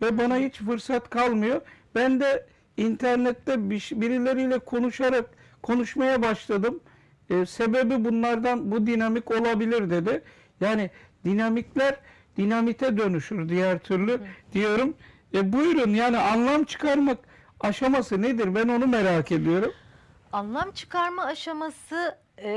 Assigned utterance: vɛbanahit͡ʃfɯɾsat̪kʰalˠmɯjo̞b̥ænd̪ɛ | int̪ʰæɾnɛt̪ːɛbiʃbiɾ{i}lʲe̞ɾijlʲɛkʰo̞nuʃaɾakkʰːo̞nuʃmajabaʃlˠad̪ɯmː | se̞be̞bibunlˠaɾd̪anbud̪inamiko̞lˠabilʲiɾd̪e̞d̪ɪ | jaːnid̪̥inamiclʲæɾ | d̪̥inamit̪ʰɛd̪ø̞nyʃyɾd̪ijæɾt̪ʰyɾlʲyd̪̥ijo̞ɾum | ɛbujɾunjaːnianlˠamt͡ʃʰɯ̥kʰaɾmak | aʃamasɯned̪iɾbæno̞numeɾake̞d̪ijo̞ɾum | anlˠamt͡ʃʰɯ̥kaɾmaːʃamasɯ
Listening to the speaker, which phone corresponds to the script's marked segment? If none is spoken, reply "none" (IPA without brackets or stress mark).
i